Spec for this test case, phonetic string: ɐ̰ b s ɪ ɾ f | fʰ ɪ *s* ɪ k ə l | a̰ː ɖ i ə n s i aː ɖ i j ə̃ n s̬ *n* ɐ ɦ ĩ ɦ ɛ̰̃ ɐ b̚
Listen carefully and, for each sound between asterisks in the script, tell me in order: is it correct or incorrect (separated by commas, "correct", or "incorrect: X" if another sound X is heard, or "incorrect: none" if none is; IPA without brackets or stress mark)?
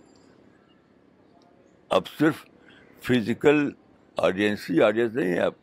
incorrect: z, correct